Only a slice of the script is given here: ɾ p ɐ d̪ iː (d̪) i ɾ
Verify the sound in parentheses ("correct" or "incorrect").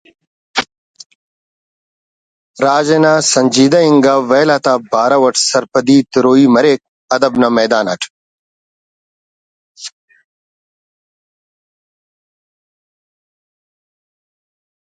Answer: incorrect